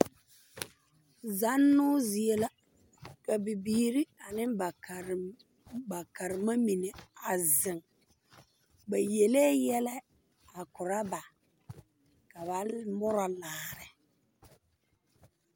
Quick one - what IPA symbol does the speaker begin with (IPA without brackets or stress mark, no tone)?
z